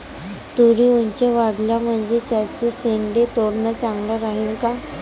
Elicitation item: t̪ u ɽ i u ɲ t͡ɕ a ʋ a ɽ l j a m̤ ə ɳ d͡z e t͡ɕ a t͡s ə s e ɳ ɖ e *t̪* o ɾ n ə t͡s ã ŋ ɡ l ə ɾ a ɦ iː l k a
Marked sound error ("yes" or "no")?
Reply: no